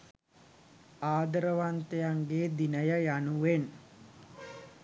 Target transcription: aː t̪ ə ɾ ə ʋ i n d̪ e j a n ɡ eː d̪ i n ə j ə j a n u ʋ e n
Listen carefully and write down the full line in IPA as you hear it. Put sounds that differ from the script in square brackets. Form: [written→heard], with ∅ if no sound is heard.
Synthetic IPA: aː [t̪→d̪] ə ɾ ə ʋ [i→a] n [d̪→t̪] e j a [n→ŋ] ɡ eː d̪ i n ə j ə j a n u ʋ e n